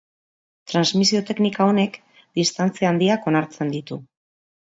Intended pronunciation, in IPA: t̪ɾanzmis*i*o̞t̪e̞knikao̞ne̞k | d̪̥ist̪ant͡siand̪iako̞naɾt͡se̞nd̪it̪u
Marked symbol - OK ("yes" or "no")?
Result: yes